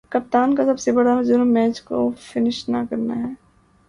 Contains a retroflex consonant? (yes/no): yes